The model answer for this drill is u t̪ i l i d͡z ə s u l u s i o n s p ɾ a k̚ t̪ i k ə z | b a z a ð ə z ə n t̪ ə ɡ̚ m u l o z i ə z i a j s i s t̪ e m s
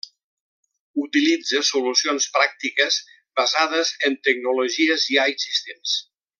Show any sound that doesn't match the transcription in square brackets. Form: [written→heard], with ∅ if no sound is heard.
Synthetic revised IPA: u t̪ i l i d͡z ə s u l u s i o n s p ɾ a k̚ t̪ i k ə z | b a z a ð ə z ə n t̪ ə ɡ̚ [m→n] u l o [z→ʒ] i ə z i a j s i s t̪ e m s